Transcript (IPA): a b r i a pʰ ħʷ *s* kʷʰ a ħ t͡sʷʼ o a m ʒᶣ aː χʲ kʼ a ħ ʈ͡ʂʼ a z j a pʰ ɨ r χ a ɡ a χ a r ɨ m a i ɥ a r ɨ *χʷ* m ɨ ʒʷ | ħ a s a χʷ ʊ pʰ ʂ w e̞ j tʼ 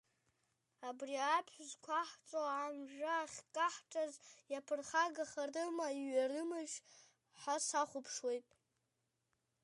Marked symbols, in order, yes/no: no, no

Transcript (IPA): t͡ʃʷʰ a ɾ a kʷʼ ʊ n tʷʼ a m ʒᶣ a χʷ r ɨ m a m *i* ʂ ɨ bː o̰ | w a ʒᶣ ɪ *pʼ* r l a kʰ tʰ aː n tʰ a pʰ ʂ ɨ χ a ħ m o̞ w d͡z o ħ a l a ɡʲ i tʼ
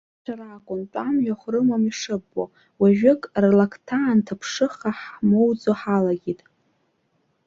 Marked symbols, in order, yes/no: yes, no

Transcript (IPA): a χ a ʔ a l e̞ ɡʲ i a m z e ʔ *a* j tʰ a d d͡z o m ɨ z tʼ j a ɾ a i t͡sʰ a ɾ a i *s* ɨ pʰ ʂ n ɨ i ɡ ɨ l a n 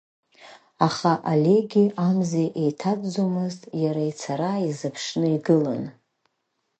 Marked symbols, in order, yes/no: no, no

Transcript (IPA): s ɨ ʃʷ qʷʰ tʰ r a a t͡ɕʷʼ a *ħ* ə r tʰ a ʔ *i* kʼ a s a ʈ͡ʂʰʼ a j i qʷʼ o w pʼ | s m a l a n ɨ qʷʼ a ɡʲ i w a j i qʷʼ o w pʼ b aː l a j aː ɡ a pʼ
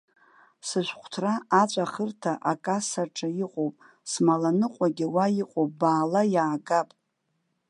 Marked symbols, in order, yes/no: no, no

